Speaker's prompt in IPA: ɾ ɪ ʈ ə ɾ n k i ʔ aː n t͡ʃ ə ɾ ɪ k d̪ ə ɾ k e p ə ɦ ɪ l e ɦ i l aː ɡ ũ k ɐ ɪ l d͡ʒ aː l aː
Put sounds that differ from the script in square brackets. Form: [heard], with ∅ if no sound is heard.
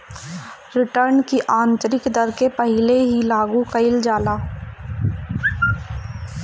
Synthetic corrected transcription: ɾ ɪ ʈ ə ɾ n k i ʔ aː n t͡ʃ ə ɾ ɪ k d̪ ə ɾ k e p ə ɦ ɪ l e ɦ i l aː ɡ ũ k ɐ ɪ l d͡ʒ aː l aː